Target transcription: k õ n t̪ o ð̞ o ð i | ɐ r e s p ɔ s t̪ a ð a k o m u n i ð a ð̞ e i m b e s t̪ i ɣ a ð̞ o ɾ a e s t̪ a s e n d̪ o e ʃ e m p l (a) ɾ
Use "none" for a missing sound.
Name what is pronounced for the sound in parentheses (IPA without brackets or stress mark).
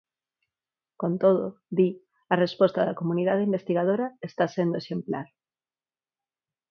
a